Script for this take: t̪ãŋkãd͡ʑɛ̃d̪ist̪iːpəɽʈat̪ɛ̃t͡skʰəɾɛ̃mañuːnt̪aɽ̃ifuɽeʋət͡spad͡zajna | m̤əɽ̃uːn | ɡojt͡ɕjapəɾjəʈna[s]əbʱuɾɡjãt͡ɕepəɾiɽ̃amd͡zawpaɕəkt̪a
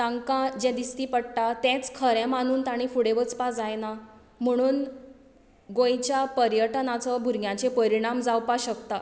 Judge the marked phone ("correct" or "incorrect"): incorrect